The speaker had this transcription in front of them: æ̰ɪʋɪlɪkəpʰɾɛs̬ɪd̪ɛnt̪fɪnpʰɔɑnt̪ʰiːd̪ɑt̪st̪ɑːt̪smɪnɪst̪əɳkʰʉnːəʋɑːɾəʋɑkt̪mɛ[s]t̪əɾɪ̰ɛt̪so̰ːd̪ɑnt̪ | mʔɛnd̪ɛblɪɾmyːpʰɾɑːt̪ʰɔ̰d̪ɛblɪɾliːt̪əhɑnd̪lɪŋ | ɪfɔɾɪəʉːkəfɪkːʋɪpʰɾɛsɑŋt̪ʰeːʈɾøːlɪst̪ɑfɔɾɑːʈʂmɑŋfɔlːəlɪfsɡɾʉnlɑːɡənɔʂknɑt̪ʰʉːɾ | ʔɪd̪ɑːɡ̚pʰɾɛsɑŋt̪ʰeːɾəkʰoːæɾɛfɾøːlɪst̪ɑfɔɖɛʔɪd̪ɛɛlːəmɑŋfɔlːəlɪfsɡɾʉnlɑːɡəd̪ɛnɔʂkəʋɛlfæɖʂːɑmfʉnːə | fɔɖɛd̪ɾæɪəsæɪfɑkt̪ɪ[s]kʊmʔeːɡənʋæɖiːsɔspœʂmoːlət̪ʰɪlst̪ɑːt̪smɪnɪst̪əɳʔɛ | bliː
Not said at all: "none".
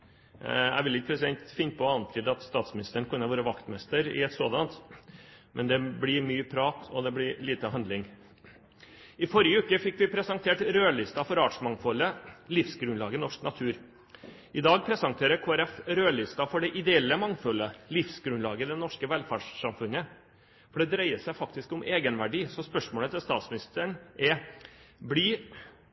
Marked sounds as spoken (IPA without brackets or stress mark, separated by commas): s, s